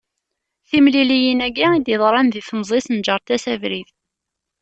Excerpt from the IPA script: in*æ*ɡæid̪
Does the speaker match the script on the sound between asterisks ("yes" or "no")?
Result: yes